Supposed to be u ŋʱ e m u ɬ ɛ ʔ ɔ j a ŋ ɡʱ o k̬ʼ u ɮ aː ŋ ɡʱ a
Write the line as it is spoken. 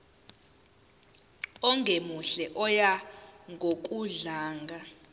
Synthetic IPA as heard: ɔ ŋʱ e m u ɬ ɛ ʔ ɔ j a ŋ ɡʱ o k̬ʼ u ɮ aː ŋ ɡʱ a